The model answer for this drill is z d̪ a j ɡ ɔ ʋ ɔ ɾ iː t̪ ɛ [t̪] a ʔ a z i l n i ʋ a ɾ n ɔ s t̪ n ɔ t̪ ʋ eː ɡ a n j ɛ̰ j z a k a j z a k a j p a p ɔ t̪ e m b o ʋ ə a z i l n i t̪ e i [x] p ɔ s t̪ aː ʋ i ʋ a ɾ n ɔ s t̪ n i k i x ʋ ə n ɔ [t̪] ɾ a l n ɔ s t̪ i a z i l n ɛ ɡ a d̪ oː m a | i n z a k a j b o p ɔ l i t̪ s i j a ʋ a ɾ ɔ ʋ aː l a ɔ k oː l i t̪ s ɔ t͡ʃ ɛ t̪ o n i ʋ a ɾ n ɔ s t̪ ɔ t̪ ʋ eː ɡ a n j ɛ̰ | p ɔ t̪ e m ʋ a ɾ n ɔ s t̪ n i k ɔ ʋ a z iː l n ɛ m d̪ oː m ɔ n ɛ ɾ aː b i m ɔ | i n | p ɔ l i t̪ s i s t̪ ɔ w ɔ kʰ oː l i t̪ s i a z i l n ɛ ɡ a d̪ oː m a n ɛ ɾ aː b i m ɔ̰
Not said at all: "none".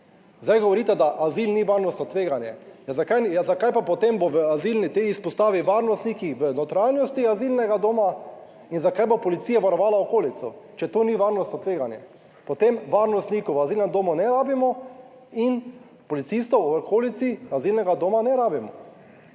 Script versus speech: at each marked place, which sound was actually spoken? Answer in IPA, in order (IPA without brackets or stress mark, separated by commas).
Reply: d̪, s, t̪